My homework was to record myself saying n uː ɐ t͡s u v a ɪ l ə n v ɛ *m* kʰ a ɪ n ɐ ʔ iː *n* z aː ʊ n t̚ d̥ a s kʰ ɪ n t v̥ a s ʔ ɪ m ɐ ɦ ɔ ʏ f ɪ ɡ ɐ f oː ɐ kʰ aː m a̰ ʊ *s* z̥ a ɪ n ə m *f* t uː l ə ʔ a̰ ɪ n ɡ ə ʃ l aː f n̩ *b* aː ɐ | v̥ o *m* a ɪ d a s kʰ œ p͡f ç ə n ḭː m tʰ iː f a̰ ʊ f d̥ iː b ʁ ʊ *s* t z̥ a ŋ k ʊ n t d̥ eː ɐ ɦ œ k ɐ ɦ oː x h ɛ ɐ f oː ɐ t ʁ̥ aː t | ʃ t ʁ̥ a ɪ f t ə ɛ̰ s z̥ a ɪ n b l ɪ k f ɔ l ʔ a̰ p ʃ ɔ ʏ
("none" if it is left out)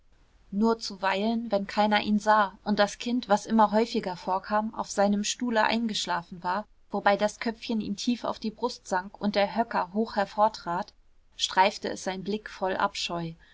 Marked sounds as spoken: n, n, f, ʃ, v, b, s

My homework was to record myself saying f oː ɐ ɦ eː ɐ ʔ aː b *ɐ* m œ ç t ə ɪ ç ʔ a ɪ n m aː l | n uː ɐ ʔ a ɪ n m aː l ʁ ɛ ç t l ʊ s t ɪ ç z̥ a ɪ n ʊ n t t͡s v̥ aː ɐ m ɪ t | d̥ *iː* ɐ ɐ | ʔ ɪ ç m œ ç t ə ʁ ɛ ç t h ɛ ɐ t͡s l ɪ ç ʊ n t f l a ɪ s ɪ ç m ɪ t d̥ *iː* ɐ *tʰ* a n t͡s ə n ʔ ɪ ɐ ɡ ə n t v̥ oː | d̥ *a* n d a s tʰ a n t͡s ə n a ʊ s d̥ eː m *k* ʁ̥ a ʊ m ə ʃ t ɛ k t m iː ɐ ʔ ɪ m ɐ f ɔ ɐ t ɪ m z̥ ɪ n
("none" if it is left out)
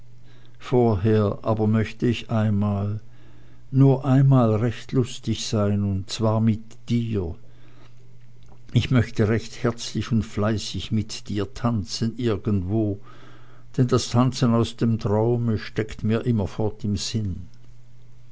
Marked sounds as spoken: ɐ, iː, iː, tʰ, ɛ, t

